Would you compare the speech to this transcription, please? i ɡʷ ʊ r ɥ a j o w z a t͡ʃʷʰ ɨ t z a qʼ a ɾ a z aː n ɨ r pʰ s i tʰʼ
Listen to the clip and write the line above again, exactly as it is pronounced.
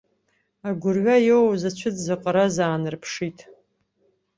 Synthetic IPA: a ɡʷ ʊ r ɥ a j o w z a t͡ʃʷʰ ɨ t z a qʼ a ɾ a z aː n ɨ r pʰ ʂ i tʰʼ